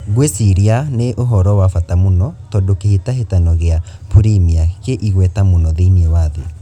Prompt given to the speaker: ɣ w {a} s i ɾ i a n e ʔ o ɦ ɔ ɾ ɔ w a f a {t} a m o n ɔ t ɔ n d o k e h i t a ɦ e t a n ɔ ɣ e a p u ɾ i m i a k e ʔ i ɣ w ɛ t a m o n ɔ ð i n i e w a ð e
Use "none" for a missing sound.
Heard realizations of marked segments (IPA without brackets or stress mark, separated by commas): e, t